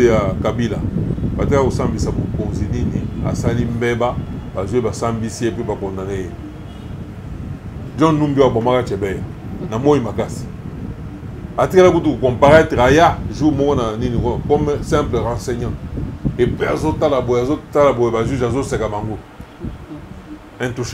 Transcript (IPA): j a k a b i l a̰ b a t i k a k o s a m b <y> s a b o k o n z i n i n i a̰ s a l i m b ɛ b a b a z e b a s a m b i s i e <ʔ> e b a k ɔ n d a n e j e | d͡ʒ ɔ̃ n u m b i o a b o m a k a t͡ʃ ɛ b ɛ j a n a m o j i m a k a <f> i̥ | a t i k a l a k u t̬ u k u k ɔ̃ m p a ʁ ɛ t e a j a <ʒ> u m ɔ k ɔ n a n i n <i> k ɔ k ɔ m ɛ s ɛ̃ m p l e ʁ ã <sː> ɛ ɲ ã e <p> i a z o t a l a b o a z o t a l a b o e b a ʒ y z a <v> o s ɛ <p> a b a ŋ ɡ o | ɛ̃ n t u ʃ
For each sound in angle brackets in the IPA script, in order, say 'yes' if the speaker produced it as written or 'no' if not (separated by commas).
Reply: no, no, no, yes, yes, no, yes, no, no